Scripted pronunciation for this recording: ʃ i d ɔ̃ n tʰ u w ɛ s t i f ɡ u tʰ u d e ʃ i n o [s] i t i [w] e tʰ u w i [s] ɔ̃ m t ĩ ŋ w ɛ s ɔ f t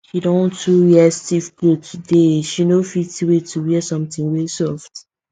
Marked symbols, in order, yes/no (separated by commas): no, yes, yes